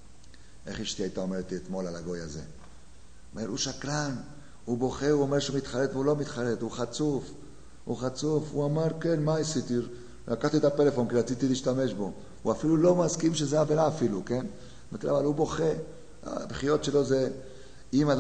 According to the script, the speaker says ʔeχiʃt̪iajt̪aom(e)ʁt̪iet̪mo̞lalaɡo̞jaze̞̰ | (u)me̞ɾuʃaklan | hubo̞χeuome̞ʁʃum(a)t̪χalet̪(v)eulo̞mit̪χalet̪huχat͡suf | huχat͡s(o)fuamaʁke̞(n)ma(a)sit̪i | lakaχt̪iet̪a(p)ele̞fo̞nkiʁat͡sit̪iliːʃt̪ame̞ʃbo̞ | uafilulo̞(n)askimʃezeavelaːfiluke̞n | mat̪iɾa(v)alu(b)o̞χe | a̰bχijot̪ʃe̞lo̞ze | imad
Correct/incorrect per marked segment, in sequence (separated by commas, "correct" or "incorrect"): correct, incorrect, incorrect, correct, incorrect, correct, incorrect, correct, incorrect, correct, correct